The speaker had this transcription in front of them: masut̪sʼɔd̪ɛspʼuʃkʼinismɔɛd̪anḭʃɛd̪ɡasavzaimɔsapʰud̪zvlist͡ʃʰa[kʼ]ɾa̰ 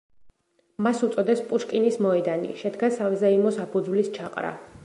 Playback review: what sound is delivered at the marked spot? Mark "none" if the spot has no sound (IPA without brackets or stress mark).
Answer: qʼ